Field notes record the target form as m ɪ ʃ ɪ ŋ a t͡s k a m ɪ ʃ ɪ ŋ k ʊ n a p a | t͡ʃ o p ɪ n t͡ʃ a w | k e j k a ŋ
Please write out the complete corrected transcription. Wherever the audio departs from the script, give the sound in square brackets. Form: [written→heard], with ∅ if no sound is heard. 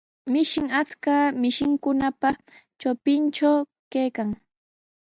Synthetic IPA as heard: m ɪ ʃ ɪ ŋ a t͡s k a m ɪ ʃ ɪ ŋ k ʊ n a p a | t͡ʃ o p ɪ n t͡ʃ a w | k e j k a ŋ

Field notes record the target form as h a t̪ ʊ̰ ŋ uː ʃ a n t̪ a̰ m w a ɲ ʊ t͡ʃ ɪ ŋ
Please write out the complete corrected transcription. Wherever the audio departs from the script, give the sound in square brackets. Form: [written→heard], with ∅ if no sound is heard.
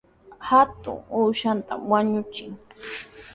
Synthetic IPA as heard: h a t̪ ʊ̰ ŋ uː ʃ a n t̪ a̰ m w a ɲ ʊ t͡ʃ ɪ ŋ

